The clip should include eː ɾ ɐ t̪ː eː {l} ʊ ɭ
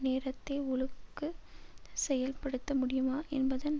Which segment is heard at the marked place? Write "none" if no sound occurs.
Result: none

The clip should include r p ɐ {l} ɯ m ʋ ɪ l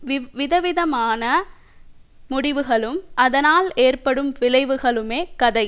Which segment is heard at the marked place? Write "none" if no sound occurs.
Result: ɽ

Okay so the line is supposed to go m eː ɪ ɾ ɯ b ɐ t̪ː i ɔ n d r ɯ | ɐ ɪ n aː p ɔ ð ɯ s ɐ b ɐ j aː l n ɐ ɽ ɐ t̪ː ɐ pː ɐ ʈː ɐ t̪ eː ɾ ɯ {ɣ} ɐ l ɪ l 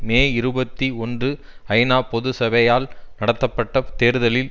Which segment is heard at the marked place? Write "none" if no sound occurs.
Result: ð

